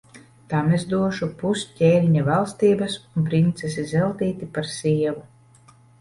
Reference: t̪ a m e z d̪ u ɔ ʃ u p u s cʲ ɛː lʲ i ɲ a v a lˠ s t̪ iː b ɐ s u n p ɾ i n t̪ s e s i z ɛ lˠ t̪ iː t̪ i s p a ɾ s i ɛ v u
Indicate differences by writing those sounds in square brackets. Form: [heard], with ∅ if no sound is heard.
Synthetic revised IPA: t̪ a m e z d̪ u ɔ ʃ u p u s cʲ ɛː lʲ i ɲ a v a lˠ s t̪ iː b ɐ s u n p ɾ i n t̪ s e s i z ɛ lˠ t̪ iː t̪ i [∅] p a ɾ s i ɛ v u

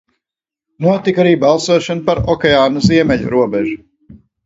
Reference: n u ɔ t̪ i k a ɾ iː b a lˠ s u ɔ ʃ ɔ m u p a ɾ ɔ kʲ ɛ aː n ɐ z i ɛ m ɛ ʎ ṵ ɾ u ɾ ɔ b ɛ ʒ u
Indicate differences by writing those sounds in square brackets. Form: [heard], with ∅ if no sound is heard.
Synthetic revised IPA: n u ɔ t̪ i k a ɾ iː b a lˠ s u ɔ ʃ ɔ [n] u p a ɾ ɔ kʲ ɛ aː n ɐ z i ɛ m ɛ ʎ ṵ ɾ u [∅] ɔ b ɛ ʒ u

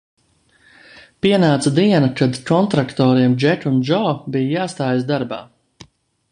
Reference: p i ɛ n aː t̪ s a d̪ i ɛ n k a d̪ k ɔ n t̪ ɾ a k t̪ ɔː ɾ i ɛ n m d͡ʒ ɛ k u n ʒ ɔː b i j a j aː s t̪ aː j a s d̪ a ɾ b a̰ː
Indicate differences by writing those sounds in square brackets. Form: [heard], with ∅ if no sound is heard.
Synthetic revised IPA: p i ɛ n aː t̪ s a d̪ i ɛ n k a d̪ k ɔ n t̪ ɾ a k t̪ ɔː ɾ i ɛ [∅] m d͡ʒ ɛ k u n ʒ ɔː b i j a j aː s t̪ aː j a s d̪ a ɾ b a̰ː

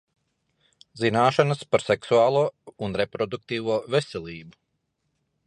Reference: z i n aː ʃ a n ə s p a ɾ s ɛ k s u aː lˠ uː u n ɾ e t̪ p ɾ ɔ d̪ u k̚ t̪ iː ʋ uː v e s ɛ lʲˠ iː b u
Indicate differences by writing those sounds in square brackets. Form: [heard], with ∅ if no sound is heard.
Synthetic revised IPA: z i n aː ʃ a n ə s p a ɾ s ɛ k s u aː lˠ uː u n ɾ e [∅] p ɾ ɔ d̪ u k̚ t̪ iː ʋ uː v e s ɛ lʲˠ iː b u

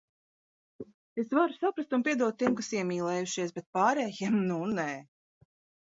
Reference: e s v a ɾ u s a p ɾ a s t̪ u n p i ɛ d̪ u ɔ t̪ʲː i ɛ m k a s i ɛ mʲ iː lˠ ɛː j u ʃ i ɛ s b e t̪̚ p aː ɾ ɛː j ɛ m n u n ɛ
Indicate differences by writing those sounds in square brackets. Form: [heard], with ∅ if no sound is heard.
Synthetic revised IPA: e s v a ɾ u s a p ɾ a s t̪ u n p i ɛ d̪ u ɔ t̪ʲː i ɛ m k a s i ɛ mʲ iː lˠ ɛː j u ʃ i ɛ s b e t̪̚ p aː ɾ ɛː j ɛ m n u n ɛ

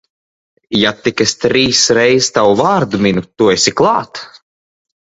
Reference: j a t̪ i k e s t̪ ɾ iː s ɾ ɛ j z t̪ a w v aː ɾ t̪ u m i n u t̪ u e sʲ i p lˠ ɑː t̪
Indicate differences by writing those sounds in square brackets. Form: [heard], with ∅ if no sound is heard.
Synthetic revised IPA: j a t̪ i k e s t̪ ɾ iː s ɾ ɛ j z t̪ a w v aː ɾ [d̪] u m i n u t̪ u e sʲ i [k] lˠ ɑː t̪

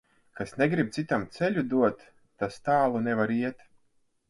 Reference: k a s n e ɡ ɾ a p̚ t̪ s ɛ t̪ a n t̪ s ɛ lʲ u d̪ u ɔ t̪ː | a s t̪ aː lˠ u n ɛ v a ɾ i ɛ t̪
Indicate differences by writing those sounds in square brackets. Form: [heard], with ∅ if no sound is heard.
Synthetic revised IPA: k a s n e ɡ ɾ [i] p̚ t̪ s [i] t̪ a [m] t̪ s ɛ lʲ u d̪ u ɔ t̪ː | a s t̪ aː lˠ u n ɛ v a ɾ i ɛ t̪

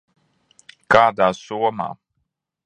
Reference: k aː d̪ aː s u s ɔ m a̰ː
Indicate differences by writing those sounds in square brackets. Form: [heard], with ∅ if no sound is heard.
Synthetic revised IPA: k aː d̪ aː s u [∅] ɔ m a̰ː

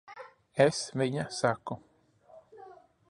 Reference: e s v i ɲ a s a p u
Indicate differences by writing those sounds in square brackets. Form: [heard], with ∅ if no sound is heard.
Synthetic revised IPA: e s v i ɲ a s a [k] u

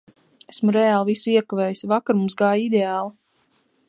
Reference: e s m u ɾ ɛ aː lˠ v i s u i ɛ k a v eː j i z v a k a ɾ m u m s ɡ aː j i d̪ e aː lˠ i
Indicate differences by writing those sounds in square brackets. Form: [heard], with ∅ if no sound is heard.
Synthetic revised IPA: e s m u ɾ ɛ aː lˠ v i s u i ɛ k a v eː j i [s] v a k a ɾ m u m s ɡ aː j i d̪ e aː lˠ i

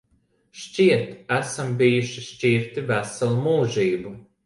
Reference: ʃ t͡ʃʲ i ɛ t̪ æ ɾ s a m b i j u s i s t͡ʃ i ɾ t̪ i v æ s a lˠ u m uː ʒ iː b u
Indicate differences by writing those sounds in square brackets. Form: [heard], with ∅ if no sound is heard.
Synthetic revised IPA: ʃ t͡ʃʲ i ɛ t̪ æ [∅] s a m b i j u [ʃ] i [ʃ] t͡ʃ i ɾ t̪ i v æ s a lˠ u m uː ʒ iː b u

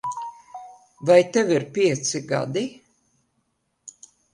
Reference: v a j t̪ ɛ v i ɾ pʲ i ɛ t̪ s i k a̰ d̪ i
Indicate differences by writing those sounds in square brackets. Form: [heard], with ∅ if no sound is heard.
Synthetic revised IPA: v a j t̪ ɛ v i ɾ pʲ i ɛ t̪ s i [ɡ] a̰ d̪ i

